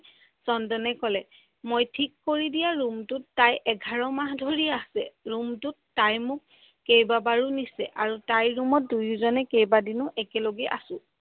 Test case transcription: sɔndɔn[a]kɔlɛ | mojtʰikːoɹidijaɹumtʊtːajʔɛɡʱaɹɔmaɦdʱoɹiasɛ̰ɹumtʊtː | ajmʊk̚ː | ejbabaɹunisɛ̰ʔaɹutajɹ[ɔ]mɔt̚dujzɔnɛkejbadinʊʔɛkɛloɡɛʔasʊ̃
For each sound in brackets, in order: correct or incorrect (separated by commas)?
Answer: incorrect, incorrect